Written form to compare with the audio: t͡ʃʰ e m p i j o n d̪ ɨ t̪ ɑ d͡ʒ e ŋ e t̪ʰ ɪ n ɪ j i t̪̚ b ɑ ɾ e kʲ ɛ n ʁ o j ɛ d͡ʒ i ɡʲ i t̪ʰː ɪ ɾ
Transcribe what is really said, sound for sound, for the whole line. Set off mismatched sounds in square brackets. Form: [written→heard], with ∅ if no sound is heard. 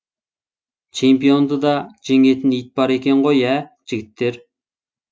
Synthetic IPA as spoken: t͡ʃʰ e m p i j o n d̪ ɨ [t̪→d̪] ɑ d͡ʒ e ŋ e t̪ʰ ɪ n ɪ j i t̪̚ b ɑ ɾ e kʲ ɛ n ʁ o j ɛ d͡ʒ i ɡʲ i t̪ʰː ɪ ɾ